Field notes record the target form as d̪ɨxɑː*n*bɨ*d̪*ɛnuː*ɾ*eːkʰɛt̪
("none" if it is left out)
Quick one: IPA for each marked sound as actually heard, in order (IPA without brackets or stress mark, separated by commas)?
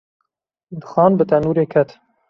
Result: n, t̪, ɾ